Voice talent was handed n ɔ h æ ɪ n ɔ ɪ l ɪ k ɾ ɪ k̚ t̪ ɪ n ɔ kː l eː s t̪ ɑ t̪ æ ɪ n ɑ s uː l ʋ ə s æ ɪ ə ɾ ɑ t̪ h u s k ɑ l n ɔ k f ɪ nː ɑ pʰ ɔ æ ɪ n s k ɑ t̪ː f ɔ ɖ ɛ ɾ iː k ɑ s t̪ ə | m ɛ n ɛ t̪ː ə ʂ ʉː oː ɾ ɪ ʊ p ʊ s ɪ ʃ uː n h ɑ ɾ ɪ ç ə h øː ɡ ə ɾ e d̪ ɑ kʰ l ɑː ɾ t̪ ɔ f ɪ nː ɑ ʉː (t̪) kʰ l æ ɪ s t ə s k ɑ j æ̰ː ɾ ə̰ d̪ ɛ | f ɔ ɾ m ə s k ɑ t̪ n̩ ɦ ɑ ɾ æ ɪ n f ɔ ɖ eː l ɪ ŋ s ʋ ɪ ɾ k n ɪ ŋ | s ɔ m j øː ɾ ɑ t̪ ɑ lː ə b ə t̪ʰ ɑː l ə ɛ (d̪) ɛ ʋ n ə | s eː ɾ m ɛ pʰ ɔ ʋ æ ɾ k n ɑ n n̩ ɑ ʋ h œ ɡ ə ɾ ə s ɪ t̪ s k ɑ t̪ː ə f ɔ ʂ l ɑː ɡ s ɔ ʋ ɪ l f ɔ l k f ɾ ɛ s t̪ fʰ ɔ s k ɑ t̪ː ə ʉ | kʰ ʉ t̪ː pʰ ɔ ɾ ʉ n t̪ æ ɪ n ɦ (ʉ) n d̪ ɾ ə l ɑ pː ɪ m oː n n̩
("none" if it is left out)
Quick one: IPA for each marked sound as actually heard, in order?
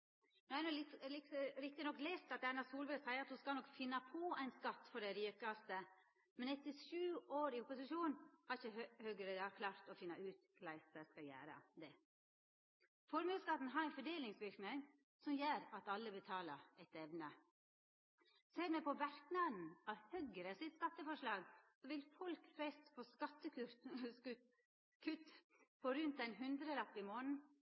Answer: t̪, t̪, ʉ

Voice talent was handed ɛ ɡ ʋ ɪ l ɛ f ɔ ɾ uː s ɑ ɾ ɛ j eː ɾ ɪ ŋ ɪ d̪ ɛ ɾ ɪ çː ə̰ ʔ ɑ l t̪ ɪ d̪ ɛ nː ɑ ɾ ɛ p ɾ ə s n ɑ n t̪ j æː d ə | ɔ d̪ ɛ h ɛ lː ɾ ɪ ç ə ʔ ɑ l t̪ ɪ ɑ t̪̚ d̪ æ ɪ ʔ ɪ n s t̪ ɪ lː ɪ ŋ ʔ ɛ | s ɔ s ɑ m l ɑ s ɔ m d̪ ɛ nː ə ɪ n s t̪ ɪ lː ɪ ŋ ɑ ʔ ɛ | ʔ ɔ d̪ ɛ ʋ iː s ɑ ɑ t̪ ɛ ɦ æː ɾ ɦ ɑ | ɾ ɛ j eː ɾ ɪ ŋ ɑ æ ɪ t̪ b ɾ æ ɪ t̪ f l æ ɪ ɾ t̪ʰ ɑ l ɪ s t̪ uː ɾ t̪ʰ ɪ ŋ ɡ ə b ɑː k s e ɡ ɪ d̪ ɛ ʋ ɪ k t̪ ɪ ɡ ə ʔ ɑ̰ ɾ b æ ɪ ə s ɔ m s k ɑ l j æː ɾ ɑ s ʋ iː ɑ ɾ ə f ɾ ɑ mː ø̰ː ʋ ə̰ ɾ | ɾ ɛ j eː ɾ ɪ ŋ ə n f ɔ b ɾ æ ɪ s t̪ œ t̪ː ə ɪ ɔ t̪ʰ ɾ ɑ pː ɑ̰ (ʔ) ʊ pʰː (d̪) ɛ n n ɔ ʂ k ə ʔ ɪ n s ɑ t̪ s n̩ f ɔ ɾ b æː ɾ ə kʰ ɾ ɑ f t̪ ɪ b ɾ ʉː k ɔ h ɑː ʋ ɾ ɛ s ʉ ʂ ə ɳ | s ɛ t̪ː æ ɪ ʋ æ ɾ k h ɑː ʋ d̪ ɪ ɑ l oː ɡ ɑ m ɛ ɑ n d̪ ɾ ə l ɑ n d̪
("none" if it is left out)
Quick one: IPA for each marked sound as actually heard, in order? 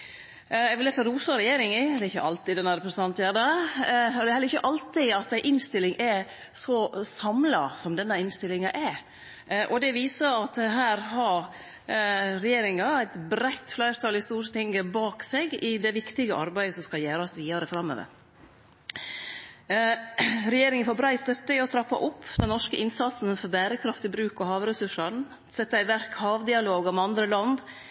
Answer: ʔ, d̪

